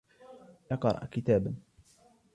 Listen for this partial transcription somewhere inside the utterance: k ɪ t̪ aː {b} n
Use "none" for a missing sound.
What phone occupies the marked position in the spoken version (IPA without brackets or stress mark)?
b